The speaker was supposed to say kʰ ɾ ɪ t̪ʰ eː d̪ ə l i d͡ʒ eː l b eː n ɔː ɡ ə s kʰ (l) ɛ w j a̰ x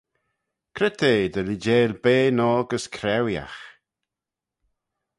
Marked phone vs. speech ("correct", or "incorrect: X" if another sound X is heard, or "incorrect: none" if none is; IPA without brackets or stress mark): incorrect: ɾ